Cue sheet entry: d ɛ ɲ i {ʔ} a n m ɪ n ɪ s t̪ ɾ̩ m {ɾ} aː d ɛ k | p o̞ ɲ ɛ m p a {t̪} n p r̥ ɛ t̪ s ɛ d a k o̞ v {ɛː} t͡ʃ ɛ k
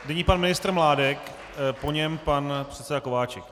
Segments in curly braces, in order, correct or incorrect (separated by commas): incorrect, incorrect, incorrect, incorrect